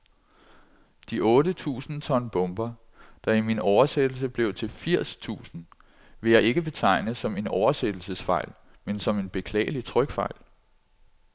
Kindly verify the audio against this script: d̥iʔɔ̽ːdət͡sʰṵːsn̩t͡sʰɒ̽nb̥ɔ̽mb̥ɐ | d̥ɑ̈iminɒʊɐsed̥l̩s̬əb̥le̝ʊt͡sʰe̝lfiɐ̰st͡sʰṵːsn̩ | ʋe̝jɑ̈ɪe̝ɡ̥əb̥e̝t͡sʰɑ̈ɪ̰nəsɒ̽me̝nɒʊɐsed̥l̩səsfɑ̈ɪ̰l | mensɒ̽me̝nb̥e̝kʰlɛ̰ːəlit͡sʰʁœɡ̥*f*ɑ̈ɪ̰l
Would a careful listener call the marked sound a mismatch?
no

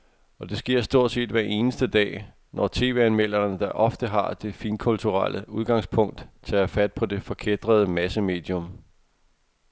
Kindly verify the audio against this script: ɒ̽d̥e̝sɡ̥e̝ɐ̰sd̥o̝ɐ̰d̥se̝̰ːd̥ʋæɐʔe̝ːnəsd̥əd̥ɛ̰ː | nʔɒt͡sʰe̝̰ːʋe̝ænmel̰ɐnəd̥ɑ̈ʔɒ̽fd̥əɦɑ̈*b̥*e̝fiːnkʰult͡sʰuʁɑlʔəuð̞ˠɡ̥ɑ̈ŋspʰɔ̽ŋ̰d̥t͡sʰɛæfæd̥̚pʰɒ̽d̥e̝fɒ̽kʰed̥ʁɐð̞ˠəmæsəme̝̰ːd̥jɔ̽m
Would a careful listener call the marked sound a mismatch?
yes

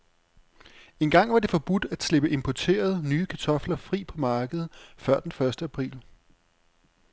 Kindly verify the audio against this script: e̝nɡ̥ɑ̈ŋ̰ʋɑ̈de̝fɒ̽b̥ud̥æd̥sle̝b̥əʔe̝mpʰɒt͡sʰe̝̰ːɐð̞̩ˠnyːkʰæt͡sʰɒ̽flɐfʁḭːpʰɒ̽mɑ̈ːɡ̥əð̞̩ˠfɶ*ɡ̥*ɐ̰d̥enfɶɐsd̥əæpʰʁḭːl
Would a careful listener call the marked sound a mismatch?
yes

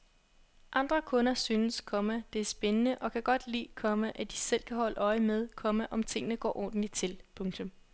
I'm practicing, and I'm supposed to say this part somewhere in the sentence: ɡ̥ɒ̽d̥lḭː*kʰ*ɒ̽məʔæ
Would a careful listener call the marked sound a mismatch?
no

